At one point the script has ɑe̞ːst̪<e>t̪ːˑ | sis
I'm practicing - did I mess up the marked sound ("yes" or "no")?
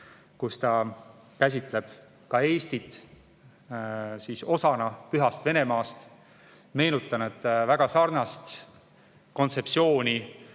yes